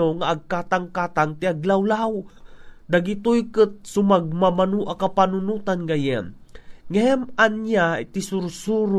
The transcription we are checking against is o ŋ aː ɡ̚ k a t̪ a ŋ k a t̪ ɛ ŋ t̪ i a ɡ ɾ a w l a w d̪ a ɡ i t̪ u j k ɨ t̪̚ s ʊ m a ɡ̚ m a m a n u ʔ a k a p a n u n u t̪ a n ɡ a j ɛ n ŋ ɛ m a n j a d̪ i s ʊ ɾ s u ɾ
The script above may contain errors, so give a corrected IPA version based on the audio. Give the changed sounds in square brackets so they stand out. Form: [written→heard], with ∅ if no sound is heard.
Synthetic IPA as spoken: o ŋ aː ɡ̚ k a t̪ a ŋ k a t̪ [ɛ→a] ŋ t̪ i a ɡ [ɾ→l] a w l a w d̪ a ɡ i t̪ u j k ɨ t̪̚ s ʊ m a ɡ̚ m a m a n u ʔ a k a p a n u n u t̪ a n ɡ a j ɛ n ŋ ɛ m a n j a [d̪→t̪] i s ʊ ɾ s u ɾ